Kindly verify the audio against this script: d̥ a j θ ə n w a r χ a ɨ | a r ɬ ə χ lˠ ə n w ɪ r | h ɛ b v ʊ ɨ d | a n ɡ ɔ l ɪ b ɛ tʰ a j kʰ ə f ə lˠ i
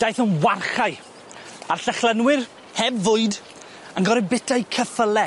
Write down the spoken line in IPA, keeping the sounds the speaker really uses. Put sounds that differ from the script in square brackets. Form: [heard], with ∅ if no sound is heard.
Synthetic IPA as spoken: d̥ a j θ ə n w a r χ a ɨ | a r ɬ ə χ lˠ ə n w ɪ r | h ɛ b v ʊ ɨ d | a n ɡ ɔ [ɾ] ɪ b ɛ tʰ a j kʰ ə f ə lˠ [ɛ]